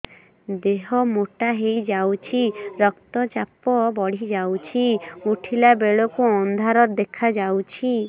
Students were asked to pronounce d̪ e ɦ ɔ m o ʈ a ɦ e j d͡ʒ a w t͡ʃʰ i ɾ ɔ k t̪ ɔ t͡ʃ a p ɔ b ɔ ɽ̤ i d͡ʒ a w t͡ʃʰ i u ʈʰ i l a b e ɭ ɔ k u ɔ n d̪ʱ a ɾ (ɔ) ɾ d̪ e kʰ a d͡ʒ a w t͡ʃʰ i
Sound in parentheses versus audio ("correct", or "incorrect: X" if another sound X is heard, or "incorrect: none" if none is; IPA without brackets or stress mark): correct